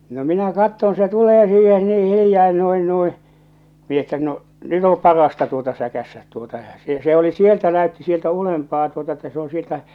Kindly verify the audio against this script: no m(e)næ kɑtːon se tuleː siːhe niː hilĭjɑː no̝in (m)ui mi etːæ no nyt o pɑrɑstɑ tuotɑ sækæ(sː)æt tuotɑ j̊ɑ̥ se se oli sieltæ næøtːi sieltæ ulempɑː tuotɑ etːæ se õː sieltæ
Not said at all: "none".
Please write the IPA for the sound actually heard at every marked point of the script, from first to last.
i, n, sː

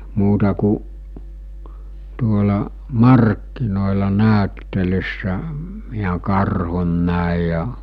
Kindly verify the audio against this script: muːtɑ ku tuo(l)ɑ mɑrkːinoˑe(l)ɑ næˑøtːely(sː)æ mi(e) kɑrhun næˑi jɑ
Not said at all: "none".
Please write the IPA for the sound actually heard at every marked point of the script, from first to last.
l, l, sː, æ

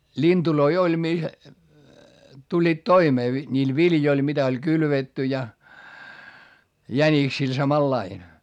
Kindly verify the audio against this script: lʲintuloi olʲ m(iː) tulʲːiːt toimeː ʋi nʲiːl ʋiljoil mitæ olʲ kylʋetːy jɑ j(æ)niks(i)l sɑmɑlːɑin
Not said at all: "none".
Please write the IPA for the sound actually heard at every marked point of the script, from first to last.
i, æ, i

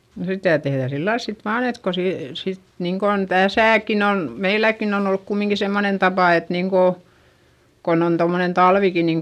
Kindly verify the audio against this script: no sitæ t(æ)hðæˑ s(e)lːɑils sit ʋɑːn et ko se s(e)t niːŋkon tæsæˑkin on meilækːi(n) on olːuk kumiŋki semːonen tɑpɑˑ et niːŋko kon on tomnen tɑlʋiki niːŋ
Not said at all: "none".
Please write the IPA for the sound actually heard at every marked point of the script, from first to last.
e, i, i, n

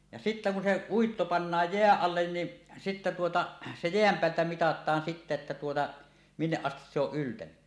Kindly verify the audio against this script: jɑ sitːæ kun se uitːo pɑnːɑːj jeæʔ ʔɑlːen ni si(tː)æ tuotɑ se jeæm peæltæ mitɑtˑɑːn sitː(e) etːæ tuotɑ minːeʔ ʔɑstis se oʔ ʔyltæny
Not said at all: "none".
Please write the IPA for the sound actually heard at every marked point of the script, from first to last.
tː, æ

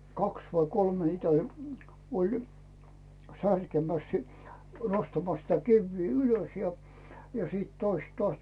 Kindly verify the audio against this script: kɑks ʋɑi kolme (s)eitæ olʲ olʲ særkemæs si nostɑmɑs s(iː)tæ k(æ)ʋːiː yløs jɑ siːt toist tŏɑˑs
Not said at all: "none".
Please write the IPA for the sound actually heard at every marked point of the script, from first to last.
h, i, i

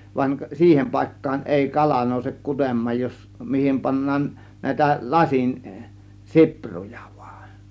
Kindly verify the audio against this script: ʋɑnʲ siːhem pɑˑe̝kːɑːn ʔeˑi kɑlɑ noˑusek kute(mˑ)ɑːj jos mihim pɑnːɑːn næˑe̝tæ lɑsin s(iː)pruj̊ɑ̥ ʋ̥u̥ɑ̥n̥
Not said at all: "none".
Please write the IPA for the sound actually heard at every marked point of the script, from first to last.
mˑ, i

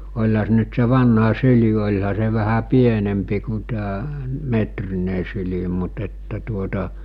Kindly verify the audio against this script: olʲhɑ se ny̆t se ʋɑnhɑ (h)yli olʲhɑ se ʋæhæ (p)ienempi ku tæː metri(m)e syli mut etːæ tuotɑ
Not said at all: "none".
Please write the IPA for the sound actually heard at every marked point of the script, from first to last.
s, p, n

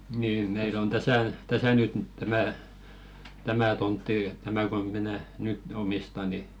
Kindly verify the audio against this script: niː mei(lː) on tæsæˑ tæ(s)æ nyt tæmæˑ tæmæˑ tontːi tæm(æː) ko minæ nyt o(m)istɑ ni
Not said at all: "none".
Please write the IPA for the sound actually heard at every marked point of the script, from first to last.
l, s, æ, m

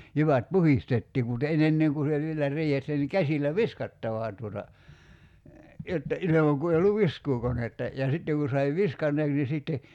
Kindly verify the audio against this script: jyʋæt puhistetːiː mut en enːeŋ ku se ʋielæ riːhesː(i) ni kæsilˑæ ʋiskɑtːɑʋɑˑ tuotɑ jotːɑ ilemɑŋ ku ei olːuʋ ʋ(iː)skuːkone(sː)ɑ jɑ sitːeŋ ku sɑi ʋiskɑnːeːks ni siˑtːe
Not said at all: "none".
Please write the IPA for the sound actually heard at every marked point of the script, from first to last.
æ, i, tː

